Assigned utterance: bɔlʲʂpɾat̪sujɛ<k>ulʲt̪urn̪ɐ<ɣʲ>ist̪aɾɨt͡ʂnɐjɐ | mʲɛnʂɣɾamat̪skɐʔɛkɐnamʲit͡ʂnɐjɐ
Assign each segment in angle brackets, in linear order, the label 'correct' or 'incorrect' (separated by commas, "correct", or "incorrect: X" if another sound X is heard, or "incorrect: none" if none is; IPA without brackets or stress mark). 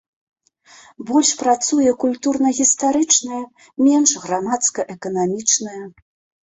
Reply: correct, correct